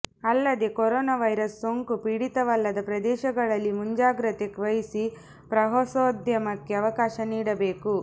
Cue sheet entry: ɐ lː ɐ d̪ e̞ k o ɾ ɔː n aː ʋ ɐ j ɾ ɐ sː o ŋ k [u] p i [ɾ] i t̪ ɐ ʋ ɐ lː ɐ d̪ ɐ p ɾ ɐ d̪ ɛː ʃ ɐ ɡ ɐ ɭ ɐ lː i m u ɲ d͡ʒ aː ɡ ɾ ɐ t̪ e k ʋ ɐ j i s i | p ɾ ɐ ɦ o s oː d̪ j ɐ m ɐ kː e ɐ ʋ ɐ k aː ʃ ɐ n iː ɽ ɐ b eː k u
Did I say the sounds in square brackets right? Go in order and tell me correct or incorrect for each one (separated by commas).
correct, incorrect